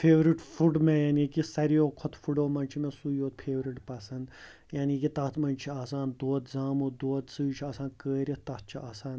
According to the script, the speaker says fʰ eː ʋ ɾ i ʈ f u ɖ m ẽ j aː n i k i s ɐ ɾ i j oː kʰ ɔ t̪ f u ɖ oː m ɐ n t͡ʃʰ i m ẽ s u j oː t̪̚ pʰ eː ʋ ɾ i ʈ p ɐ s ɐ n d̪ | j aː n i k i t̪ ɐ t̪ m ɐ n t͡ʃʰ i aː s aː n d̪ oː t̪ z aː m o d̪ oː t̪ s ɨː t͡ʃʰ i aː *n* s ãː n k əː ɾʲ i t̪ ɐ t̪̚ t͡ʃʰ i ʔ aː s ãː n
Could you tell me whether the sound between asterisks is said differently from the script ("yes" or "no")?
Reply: yes